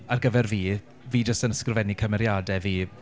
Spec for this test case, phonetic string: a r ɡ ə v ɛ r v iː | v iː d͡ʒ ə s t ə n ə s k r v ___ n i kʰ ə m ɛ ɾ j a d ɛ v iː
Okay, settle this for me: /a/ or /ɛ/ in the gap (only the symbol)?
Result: ɛ